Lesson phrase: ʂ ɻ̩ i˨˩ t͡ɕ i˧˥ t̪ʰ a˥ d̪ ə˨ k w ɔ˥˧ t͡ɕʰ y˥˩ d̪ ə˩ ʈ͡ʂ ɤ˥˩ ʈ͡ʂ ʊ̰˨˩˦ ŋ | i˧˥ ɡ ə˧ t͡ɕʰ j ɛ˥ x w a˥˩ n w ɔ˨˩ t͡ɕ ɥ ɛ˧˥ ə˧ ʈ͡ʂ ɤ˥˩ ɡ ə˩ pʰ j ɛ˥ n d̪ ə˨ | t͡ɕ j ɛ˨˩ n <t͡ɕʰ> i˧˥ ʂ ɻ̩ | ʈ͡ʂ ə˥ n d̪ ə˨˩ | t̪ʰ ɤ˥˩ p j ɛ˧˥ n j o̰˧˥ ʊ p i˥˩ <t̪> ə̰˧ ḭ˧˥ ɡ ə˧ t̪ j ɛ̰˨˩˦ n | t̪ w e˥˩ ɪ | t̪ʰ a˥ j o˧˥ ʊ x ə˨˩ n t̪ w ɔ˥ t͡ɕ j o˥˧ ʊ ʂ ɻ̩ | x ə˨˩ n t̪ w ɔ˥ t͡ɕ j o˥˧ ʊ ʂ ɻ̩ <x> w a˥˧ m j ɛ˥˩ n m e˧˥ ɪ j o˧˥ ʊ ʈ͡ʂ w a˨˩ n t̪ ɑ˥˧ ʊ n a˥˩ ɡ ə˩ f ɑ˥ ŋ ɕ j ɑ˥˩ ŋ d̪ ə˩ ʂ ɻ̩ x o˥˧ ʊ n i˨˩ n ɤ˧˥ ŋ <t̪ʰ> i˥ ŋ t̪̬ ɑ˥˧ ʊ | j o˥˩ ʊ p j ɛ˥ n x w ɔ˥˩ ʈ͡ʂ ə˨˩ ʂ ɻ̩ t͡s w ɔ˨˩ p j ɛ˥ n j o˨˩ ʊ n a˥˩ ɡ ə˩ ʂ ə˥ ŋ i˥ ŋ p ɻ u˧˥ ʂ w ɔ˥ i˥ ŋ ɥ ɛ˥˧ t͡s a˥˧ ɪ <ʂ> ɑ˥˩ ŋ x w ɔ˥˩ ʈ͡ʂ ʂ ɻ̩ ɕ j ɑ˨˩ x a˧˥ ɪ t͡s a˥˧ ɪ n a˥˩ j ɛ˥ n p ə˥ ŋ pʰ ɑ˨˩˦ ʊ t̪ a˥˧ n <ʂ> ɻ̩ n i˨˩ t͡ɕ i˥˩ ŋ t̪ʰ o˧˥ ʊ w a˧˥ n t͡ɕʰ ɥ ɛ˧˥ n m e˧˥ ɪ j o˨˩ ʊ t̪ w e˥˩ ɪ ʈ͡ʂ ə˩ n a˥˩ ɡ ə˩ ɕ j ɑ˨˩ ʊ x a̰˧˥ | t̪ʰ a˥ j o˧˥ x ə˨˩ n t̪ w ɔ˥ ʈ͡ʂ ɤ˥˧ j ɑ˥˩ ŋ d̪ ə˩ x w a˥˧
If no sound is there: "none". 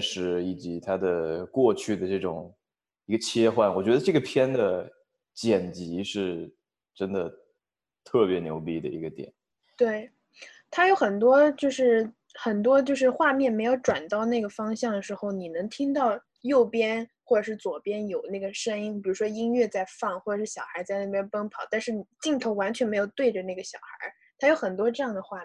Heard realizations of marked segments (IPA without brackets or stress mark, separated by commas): t͡ɕ, d̪, x, t̪ʰ, f, ʂ